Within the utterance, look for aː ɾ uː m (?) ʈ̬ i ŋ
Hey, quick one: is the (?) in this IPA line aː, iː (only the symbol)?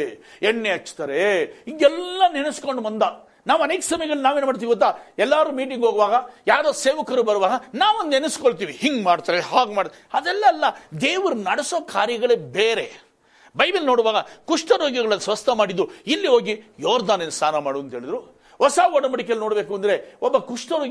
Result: iː